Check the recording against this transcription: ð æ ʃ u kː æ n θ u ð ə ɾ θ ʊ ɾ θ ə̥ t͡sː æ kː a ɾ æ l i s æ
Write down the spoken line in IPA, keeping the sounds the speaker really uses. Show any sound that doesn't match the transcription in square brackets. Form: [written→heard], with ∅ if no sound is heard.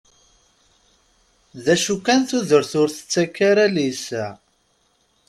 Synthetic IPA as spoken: ð æ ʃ u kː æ n θ u ð ə ɾ θ ʊ ɾ θ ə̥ t͡sː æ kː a ɾ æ l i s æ